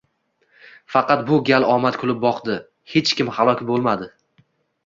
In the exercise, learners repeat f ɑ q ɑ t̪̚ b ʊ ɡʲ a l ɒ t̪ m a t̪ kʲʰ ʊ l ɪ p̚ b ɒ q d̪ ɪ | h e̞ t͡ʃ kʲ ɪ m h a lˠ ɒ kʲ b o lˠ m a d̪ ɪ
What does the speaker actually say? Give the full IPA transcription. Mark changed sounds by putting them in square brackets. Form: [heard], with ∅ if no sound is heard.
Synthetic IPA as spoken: f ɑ q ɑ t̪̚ b ʊ ɡʲ a l ɒ [∅] m a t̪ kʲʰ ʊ l ɪ p̚ b ɒ q d̪ ɪ | h e̞ t͡ʃ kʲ ɪ m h a lˠ ɒ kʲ b o lˠ m a d̪ ɪ